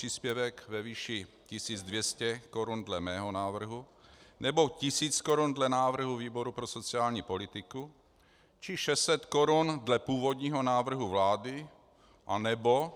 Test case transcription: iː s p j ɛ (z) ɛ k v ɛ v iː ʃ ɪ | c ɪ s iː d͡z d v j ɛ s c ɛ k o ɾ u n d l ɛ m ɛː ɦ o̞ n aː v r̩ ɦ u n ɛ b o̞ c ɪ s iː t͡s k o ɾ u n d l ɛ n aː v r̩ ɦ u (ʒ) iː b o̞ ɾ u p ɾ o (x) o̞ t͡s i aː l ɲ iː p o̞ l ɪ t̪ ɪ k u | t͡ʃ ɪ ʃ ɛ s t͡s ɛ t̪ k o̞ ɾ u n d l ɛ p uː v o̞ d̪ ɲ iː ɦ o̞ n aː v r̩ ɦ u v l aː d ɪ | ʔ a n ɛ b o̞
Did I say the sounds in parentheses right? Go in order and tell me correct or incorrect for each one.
incorrect: v, incorrect: v, incorrect: s

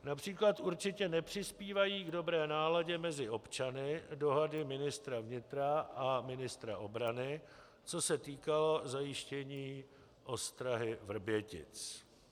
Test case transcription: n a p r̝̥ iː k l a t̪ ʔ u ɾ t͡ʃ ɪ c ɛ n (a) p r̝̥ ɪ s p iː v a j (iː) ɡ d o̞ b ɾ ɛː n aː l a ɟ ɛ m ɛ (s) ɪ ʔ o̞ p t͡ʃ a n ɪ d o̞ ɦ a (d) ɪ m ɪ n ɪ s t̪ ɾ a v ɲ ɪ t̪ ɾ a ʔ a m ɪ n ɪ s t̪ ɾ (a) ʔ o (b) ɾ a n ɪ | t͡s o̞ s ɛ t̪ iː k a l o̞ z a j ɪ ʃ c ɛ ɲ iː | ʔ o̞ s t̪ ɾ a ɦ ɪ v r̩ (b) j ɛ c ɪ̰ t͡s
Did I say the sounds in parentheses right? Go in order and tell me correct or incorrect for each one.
incorrect: ɛ, correct, incorrect: z, correct, correct, correct, correct

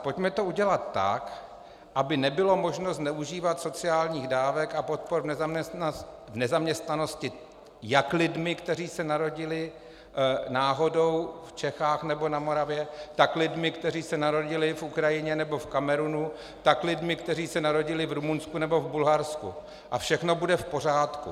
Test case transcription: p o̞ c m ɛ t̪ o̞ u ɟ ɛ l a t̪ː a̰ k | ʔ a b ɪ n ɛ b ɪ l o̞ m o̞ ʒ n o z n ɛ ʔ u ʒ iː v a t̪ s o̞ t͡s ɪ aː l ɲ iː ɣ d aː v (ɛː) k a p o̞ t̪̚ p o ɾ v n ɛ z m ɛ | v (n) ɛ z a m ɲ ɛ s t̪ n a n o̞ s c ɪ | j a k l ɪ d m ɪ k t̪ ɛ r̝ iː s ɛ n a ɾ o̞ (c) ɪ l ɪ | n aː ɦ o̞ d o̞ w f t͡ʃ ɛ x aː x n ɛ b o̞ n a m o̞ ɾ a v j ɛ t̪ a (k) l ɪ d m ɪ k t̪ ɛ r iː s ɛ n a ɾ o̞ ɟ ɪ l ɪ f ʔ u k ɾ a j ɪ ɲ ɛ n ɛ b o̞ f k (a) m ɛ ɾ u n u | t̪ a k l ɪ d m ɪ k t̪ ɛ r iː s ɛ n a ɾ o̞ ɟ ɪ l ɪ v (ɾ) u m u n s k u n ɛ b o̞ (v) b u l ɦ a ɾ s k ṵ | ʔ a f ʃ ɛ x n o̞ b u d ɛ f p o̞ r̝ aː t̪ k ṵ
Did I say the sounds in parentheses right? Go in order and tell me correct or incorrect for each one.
incorrect: ɛ, correct, incorrect: ɟ, correct, correct, correct, correct

